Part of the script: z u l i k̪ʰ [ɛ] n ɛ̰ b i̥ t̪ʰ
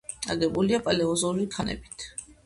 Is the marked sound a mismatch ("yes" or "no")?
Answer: yes